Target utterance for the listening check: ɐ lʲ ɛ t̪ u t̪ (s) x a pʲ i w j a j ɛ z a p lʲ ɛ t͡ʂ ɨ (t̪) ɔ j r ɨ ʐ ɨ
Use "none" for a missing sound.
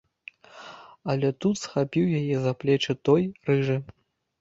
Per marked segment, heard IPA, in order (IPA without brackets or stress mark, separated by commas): s, t̪